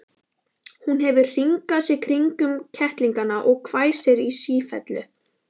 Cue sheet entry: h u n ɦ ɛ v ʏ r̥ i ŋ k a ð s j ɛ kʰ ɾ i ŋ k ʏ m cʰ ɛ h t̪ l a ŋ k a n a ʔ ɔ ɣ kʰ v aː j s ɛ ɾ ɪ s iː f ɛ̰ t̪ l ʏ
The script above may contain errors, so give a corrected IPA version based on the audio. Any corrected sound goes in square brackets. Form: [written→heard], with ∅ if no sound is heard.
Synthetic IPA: h u n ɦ ɛ v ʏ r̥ i ŋ k a ð s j ɛ kʰ ɾ i ŋ k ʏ m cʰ ɛ h t̪ l [a→i] ŋ k a n a ʔ ɔ ɣ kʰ v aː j s ɛ ɾ [ɪ→i] s iː f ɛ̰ t̪ l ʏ

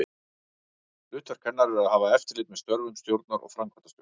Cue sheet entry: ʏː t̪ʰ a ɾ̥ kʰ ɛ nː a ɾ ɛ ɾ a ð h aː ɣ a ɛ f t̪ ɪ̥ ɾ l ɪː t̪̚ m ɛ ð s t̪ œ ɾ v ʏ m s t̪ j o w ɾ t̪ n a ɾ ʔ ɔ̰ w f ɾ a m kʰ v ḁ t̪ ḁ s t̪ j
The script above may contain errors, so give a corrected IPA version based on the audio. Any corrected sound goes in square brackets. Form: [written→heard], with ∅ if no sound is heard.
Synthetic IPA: ʏː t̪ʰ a ɾ̥ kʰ ɛ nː a ɾ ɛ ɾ a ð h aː [ɣ→v] a ɛ f t̪ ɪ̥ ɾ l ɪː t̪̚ m ɛ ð s t̪ œ ɾ v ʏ m s t̪ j o w ɾ t̪ n a ɾ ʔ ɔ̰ [w→ɣ] f ɾ a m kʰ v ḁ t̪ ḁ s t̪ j

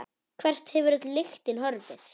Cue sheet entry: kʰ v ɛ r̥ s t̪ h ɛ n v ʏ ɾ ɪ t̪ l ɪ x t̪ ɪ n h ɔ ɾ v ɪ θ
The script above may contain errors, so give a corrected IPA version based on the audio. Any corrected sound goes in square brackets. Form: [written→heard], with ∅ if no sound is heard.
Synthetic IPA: kʰ v ɛ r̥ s t̪ h ɛ [n→∅] v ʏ ɾ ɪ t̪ l ɪ x t̪ ɪ n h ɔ ɾ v ɪ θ

